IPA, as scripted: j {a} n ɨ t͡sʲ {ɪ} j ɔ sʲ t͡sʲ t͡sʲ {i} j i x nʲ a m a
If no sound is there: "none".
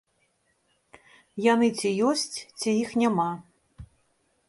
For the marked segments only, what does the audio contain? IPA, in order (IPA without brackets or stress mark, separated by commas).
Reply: a, i, i